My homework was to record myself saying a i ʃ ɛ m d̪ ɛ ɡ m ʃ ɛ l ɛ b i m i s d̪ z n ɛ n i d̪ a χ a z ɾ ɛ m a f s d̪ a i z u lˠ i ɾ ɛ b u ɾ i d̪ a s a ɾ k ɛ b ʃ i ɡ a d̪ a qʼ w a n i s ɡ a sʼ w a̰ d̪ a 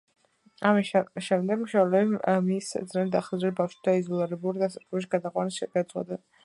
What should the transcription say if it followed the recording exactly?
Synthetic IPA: a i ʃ ɛ m d̪ ɛ ɡ m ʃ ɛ l ɛ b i m i s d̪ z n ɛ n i d̪ a χ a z ɾ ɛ b a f ʃ d̪ a i z ɔ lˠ i ɾ ɛ b u ɾ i d̪ a s a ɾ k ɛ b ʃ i ɡ a d̪ a qʼ w a n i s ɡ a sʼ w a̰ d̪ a

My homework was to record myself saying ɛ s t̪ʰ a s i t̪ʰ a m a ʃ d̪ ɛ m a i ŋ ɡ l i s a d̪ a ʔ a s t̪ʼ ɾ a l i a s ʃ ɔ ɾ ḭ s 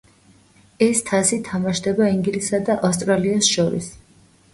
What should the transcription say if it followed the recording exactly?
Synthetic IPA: ɛ s t̪ʰ a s i t̪ʰ a m a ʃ d̪ ɛ b a i ŋ ɡ l i s a d̪ a ʔ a s t̪ʼ ɾ a l i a s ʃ ɔ ɾ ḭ s

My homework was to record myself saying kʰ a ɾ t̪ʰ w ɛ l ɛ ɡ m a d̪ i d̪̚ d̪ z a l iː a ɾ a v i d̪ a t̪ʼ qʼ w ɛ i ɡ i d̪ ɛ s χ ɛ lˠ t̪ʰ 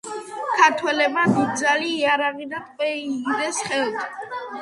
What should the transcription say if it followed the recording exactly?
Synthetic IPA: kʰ a ɾ t̪ʰ w ɛ l ɛ b m a d̪ i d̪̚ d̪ z a l iː a ɾ a ʁ i d̪ a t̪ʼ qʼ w ɛ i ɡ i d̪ ɛ s χ ɛ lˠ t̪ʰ

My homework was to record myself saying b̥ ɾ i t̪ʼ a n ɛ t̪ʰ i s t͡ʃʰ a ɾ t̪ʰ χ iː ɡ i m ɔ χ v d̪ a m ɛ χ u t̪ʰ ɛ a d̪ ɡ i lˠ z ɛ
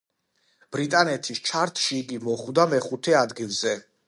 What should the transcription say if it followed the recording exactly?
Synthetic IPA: b̥ ɾ i t̪ʼ a n ɛ t̪ʰ i s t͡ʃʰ a ɾ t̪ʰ ʃ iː ɡ i m ɔ χ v d̪ a m ɛ χ u t̪ʰ ɛ a d̪ ɡ i lˠ z ɛ

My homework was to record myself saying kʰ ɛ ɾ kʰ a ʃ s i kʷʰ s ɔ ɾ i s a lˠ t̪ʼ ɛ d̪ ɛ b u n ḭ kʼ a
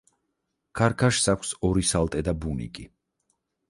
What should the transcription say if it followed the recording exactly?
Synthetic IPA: kʰ a ɾ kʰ a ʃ s a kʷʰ s ɔ ɾ i s a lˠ t̪ʼ ɛ d̪ a b u n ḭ kʼ i

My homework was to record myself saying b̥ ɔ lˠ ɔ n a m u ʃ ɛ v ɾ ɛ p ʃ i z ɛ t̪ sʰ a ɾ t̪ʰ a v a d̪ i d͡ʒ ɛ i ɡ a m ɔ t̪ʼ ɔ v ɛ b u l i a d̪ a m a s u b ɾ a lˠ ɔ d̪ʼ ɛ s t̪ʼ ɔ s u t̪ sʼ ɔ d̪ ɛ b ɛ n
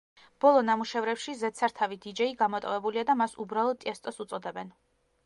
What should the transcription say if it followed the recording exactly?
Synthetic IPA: b̥ ɔ lˠ ɔ n a m u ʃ ɛ v ɾ ɛ p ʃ i z ɛ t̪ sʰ a ɾ t̪ʰ a v i d̪ i d͡ʒ ɛ i ɡ a m ɔ t̪ʼ ɔ v ɛ b u l i a d̪ a m a s u b ɾ a lˠ ɔ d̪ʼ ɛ s t̪ʼ ɔ s u t̪ sʼ ɔ d̪ ɛ b ɛ n

